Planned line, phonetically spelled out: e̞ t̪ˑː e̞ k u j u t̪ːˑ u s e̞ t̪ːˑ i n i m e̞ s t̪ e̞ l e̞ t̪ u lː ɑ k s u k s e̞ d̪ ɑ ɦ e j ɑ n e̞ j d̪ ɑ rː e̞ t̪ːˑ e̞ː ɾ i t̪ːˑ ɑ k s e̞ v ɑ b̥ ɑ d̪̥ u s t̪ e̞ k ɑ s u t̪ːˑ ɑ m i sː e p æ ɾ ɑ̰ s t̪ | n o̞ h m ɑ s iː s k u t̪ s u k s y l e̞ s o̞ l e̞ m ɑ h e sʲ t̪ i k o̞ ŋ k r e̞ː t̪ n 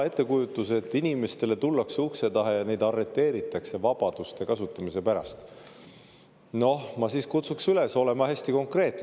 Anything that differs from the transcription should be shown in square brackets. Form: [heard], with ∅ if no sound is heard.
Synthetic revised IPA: e̞ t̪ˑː e̞ k u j u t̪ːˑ u s e̞ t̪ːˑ i n i m e̞ s t̪ e̞ l e̞ t̪ u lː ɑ k s u k s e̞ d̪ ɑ ɦ e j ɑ n e̞ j d̪ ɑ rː e̞ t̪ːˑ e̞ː ɾ i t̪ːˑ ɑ k s e̞ v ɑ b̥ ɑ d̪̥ u s t̪ e̞ k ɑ s u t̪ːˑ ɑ m i [s] e p æ ɾ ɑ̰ s t̪ | n o̞ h m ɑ s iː s k u t̪ s u k s y l e̞ s o̞ l e̞ m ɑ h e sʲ t̪ i k o̞ ŋ k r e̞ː t̪ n